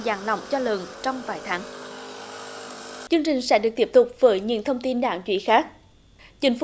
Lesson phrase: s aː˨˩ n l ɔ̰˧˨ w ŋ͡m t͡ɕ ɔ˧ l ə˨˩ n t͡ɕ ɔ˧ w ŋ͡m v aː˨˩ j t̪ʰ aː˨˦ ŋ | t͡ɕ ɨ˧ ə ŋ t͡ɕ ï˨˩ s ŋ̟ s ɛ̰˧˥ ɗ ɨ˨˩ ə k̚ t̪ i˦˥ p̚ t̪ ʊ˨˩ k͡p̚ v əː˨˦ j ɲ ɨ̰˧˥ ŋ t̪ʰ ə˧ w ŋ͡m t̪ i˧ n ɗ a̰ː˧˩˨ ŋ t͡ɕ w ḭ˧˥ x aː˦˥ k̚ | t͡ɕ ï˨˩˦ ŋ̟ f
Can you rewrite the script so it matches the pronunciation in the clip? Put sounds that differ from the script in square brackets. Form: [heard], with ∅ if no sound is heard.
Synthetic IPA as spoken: [z] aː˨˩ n l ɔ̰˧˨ w ŋ͡m t͡ɕ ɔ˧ l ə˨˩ n t͡ɕ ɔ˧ w ŋ͡m v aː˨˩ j t̪ʰ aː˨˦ ŋ | t͡ɕ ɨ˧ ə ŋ t͡ɕ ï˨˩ [∅] ŋ̟ s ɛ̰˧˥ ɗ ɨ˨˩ ə k̚ t̪ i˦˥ p̚ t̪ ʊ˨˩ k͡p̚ v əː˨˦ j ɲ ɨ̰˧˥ ŋ t̪ʰ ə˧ w ŋ͡m t̪ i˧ n ɗ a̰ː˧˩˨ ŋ t͡ɕ w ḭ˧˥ x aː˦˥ k̚ | t͡ɕ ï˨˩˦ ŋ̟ f